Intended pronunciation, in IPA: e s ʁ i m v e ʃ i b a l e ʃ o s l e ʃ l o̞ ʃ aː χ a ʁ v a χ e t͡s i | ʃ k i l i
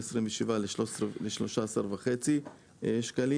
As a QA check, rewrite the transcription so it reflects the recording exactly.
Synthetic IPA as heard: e s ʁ i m v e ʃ i v a l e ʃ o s l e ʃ l o̞ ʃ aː s a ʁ v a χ e t͡s i | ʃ k a l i